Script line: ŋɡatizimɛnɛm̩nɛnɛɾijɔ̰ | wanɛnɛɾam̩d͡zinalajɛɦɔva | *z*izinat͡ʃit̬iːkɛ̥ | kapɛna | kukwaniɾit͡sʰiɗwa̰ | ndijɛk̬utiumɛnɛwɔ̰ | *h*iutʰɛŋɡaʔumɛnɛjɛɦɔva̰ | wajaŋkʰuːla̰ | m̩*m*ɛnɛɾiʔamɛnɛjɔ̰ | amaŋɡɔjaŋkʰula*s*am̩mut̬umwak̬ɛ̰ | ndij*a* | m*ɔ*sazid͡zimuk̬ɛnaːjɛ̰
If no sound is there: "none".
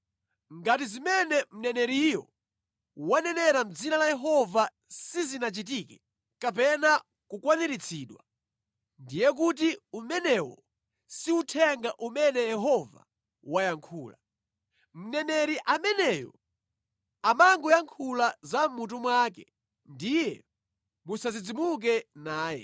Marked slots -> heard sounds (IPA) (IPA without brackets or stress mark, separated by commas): s, s, n, z, ɛ, u